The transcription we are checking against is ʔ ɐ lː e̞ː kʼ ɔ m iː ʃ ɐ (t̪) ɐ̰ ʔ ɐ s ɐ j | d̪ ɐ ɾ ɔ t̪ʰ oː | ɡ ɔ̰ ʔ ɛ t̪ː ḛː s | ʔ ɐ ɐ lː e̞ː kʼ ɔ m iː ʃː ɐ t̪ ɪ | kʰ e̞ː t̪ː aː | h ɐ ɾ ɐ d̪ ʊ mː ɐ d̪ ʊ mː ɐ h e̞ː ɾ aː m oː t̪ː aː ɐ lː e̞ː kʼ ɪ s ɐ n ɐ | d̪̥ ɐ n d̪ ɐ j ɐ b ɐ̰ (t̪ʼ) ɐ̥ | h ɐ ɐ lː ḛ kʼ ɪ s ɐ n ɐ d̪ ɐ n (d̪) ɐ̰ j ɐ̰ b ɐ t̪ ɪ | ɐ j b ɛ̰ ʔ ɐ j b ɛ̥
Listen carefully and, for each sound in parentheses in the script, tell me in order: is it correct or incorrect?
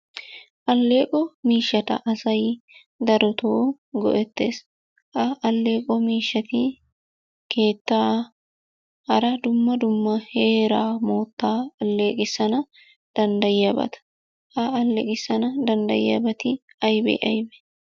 correct, incorrect: t̪, correct

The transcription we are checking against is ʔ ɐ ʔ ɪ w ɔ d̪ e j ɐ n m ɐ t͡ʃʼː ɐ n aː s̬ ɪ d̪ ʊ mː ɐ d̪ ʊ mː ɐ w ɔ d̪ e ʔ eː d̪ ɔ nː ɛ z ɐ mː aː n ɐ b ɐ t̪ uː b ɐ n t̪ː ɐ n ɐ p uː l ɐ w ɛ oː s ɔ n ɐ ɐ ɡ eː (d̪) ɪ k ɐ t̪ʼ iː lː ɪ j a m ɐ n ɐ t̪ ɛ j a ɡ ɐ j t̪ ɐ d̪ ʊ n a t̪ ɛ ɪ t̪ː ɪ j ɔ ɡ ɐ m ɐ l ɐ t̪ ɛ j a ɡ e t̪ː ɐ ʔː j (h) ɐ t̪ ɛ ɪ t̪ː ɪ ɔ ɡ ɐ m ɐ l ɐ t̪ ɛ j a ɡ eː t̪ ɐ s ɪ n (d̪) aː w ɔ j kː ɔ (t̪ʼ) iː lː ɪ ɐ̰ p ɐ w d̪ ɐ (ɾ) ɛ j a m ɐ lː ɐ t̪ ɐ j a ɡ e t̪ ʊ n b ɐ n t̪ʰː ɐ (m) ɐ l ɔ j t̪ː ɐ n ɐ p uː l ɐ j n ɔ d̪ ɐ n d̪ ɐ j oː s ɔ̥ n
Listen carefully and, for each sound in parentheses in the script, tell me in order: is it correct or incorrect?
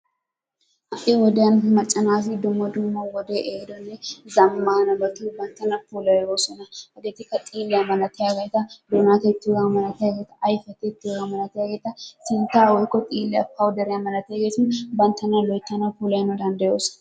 incorrect: t̪, incorrect: f, incorrect: t̪, correct, correct, incorrect: n

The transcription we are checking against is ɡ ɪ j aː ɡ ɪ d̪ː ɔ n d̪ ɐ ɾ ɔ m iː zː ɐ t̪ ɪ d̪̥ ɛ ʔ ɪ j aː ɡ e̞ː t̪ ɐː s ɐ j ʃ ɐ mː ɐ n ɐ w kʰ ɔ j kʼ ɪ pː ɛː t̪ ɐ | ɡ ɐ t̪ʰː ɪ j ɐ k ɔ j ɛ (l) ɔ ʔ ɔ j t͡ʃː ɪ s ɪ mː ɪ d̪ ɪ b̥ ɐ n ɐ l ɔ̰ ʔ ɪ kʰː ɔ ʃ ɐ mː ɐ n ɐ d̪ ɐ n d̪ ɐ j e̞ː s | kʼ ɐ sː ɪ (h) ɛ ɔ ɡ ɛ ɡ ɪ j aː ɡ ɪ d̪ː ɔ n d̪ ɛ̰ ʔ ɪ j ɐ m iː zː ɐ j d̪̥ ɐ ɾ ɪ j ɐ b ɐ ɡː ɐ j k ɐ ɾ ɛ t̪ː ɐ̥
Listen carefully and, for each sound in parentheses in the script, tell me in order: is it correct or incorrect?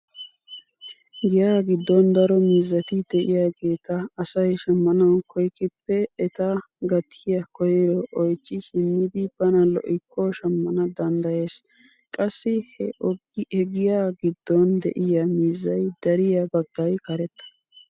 incorrect: ɾ, correct

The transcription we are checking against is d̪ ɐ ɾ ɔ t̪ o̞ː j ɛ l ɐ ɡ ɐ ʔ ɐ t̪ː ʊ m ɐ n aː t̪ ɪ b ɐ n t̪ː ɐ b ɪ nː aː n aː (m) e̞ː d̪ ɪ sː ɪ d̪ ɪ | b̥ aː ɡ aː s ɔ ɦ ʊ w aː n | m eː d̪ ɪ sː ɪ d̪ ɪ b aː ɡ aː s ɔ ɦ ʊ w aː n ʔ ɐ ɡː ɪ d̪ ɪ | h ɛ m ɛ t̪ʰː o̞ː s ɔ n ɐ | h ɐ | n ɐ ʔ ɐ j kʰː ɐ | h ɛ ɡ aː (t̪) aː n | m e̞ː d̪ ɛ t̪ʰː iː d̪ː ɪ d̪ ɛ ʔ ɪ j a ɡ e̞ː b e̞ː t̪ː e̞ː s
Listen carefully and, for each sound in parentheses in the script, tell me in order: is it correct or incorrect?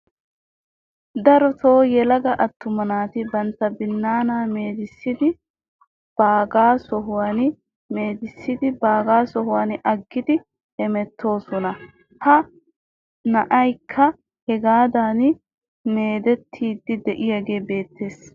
correct, incorrect: d̪

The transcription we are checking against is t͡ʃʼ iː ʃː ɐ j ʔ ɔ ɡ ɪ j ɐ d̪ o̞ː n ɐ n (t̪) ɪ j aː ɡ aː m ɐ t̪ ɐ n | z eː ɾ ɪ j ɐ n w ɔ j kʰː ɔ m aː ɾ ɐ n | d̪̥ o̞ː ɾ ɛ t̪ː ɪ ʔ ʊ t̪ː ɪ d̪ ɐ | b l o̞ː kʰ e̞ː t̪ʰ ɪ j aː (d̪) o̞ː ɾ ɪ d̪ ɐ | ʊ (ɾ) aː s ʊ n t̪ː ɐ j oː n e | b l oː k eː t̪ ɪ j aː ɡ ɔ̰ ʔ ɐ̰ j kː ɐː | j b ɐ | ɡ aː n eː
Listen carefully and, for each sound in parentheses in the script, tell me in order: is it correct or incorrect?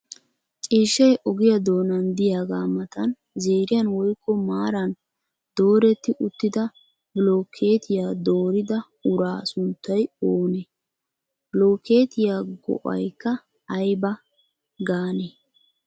incorrect: d̪, correct, correct

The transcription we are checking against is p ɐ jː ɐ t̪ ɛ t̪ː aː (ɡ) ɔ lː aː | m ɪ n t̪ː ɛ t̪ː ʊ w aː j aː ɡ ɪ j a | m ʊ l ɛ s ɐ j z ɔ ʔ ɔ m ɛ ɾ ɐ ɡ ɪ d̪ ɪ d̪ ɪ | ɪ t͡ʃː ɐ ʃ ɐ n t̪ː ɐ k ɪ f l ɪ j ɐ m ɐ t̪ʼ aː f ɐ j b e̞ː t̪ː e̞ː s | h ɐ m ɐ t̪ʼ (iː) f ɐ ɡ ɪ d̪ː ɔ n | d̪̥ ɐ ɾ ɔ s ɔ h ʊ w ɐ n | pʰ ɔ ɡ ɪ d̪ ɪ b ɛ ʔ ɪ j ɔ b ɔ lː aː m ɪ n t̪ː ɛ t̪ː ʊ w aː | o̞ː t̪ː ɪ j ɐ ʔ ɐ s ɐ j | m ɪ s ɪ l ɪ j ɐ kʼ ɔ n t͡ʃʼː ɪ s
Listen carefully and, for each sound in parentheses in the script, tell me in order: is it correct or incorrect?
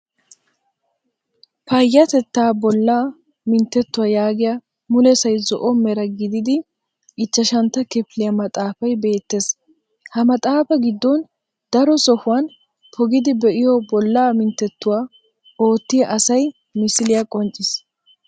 incorrect: b, incorrect: aː

